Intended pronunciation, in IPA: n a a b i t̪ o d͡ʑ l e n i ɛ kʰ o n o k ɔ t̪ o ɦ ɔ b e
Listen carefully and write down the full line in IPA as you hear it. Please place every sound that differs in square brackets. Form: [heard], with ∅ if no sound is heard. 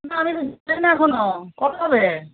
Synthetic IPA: n a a [m] i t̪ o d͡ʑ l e n [a] ɛ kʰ o n o k ɔ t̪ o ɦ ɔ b e